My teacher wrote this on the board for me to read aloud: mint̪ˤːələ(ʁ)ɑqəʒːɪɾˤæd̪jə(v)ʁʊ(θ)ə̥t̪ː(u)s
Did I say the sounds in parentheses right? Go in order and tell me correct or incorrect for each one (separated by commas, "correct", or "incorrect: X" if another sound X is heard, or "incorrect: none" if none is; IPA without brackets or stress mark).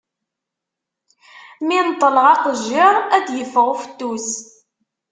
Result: correct, incorrect: f, incorrect: f, correct